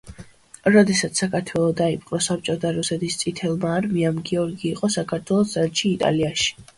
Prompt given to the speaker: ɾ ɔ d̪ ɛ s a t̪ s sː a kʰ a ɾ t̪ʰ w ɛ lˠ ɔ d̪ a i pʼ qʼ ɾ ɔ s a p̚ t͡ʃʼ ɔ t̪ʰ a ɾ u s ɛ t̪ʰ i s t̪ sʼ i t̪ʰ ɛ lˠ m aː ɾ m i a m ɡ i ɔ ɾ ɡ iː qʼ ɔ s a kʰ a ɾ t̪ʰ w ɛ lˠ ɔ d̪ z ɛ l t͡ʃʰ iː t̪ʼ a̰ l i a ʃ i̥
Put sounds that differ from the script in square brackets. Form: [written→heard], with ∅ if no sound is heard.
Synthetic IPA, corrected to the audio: ɾ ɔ d̪ ɛ s a t̪ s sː a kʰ a ɾ t̪ʰ w ɛ lˠ ɔ d̪ a i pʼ qʼ ɾ ɔ s a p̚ t͡ʃʼ ɔ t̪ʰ a ɾ u s ɛ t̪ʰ i s t̪ sʼ i t̪ʰ ɛ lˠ m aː ɾ m i a m ɡ i ɔ ɾ ɡ iː qʼ ɔ s a kʰ a ɾ t̪ʰ w ɛ lˠ ɔ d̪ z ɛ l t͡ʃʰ iː t̪ʼ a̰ l i a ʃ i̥

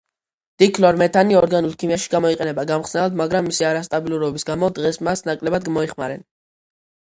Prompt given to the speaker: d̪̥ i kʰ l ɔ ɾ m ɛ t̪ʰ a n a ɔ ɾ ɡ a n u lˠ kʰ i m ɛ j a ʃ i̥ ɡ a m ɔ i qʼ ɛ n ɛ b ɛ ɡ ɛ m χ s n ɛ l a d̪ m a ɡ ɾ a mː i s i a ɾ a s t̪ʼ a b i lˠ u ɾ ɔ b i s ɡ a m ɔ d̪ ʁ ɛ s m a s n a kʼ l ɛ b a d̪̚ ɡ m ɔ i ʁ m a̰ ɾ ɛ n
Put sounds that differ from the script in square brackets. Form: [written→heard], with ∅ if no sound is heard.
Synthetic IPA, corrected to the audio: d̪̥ i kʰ l ɔ ɾ m ɛ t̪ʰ a n [a→i] ɔ ɾ ɡ a n u lˠ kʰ i m [ɛ→i] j a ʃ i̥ ɡ a m ɔ i qʼ ɛ n ɛ b [ɛ→a] ɡ [ɛ→a] m χ s n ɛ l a d̪ m a ɡ ɾ a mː i s i a ɾ a s t̪ʼ a b i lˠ u ɾ ɔ b i s ɡ a m ɔ d̪ ʁ ɛ s m a s n a kʼ l ɛ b a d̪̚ ɡ m ɔ i [ʁ→χ] m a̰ ɾ ɛ n

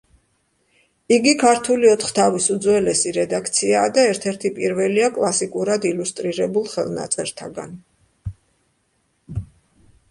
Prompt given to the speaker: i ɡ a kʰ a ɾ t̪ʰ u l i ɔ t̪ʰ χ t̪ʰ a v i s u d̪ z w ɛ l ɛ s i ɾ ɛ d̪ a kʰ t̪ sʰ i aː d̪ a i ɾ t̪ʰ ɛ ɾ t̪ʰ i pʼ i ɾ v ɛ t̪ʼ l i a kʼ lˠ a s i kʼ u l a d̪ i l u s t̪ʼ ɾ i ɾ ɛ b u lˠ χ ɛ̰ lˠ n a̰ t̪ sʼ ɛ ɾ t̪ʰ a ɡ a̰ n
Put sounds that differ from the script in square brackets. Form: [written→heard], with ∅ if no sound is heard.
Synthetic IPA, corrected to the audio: i ɡ [a→i] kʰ a ɾ t̪ʰ u l i ɔ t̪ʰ χ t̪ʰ a v i s u d̪ z w ɛ l ɛ s i ɾ ɛ d̪ a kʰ t̪ sʰ i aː d̪ a [i→ɛ] ɾ t̪ʰ ɛ ɾ t̪ʰ i pʼ i ɾ v ɛ [t̪ʼ→∅] l i a kʼ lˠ a s i kʼ u [l→ɾ] a d̪ i l u s t̪ʼ ɾ i ɾ ɛ b u lˠ χ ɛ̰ lˠ n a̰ t̪ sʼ ɛ ɾ t̪ʰ a ɡ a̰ n

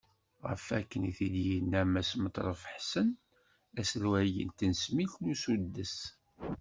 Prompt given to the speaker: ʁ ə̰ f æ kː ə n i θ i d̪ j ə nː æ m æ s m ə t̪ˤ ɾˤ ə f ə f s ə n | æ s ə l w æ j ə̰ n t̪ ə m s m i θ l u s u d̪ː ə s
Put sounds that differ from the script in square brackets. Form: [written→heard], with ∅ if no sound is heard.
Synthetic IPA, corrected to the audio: ʁ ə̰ f æ kː ə n i θ i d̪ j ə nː æ m æ s m ə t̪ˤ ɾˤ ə f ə [f→ħ] s ə n | æ s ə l w æ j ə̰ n t̪ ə [m→n] s m i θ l u s u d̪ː ə s

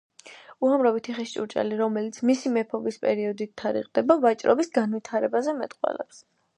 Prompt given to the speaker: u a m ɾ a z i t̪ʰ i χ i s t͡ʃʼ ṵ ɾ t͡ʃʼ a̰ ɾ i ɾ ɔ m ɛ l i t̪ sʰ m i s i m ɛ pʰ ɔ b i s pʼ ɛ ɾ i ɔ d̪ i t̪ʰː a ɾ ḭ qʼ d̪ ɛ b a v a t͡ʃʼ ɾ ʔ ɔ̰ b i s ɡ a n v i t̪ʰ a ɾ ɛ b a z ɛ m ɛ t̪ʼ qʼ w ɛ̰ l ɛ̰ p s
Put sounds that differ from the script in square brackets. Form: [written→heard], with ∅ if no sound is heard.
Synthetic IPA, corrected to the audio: u a m ɾ a [z→v] i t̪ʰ i χ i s t͡ʃʼ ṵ ɾ t͡ʃʼ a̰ [ɾ→l] i ɾ ɔ m ɛ l i t̪ sʰ m i s i m ɛ pʰ ɔ b i s pʼ ɛ ɾ i ɔ d̪ i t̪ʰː a ɾ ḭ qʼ d̪ ɛ b a v a t͡ʃʼ ɾ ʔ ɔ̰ b i s ɡ a n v i t̪ʰ a ɾ ɛ b a z ɛ m ɛ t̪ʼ qʼ w ɛ̰ l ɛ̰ p s

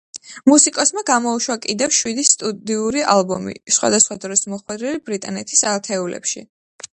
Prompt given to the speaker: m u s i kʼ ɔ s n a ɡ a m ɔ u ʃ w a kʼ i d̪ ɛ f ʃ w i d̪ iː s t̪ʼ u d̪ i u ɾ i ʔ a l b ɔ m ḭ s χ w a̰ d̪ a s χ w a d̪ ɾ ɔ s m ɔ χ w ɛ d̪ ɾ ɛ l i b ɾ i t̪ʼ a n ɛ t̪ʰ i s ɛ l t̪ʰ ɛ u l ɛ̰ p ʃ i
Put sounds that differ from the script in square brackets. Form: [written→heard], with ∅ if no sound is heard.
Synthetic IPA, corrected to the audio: m u s i kʼ ɔ s [n→m] a ɡ a m ɔ u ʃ w a kʼ i d̪ ɛ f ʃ w i d̪ [iː→i] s t̪ʼ u d̪ i u ɾ i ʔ a l b ɔ m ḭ s χ w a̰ d̪ a s χ w a d̪ ɾ ɔ s m ɔ χ w ɛ d̪ ɾ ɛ l i b ɾ i t̪ʼ a n ɛ t̪ʰ i s [ɛ→a] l t̪ʰ ɛ u l ɛ̰ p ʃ i

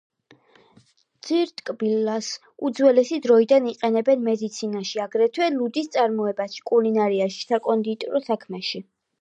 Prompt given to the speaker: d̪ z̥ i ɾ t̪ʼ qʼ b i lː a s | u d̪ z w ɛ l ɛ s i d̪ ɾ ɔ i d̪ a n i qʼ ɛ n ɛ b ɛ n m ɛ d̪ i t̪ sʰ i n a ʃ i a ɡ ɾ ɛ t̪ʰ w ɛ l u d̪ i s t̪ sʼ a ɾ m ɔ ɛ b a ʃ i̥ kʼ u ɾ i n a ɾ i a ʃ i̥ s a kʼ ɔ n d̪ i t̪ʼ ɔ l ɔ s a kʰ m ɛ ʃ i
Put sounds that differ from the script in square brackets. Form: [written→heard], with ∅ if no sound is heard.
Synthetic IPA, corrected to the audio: d̪ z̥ i ɾ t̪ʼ [qʼ→kʼ] b i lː a s | u d̪ z w ɛ l ɛ s i d̪ ɾ ɔ i d̪ a n i qʼ ɛ n ɛ b ɛ n m ɛ d̪ i t̪ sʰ i n a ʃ i a ɡ ɾ ɛ t̪ʰ w ɛ l u d̪ i s t̪ sʼ a ɾ m ɔ ɛ b a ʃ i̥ kʼ u [ɾ→l] i n a ɾ i a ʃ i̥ s a kʼ ɔ n d̪ i t̪ʼ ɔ [l→ɾ] ɔ s a kʰ m ɛ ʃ i

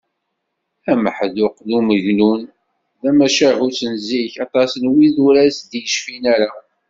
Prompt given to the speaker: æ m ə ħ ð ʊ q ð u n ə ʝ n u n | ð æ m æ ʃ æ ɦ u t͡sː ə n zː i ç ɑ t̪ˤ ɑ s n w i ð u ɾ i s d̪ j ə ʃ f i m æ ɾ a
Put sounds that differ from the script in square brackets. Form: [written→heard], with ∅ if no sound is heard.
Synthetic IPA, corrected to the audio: æ m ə ħ ð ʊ q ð u [n→m] ə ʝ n u n | ð æ m æ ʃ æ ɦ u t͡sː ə n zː i ç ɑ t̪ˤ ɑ s n w i ð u ɾ [i→æ] s d̪ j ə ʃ f i [m→n] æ ɾ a

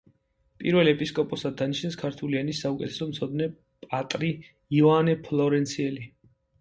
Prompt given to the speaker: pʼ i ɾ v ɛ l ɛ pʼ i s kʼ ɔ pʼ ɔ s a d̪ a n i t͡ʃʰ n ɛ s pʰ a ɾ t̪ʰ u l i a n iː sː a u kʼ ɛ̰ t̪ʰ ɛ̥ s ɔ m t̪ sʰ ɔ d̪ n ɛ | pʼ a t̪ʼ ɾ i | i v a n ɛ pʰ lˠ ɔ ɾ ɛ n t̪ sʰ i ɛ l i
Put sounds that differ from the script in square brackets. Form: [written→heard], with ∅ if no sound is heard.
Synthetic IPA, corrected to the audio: pʼ i ɾ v ɛ l ɛ pʼ i s kʼ ɔ pʼ ɔ s a d̪ a n i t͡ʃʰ n ɛ s [pʰ→kʰ] a ɾ t̪ʰ u l i a n [iː→i] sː a u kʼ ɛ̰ t̪ʰ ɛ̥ s ɔ m t̪ sʰ ɔ d̪ n ɛ | pʼ a t̪ʼ ɾ i | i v a n ɛ pʰ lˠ ɔ ɾ ɛ n t̪ sʰ i ɛ l i

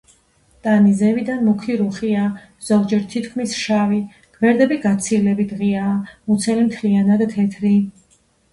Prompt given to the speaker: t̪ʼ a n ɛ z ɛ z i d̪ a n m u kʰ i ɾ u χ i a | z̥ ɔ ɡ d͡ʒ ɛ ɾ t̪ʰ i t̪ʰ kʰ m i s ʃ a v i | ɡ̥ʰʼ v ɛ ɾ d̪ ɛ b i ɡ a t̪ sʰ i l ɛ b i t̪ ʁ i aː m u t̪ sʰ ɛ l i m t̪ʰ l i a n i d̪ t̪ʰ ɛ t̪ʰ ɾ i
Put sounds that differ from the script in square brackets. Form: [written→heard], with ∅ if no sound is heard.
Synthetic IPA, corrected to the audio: t̪ʼ a n [ɛ→i] z ɛ [z→v] i d̪ a n m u kʰ i ɾ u χ i a | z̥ ɔ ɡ d͡ʒ ɛ ɾ t̪ʰ i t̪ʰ kʰ m i s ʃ a v i | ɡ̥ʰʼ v ɛ ɾ d̪ ɛ b i ɡ a t̪ sʰ i l ɛ b i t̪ ʁ i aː m u t̪ sʰ ɛ l i m t̪ʰ l i a n [i→a] d̪ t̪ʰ ɛ t̪ʰ ɾ i

